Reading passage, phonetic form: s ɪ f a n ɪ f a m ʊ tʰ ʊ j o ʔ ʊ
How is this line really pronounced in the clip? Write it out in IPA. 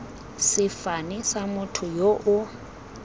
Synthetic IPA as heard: s ɪ f a n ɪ s a m ʊ tʰ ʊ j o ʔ ʊ